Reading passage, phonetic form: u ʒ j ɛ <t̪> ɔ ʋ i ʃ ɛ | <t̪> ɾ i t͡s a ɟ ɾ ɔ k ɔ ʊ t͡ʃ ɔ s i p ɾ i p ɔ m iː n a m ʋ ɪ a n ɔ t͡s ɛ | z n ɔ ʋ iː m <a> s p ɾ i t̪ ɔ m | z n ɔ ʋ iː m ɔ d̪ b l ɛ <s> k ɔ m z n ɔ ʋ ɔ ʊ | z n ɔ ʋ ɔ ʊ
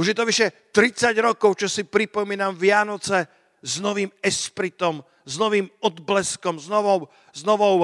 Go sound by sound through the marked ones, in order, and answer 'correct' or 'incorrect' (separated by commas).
correct, correct, incorrect, correct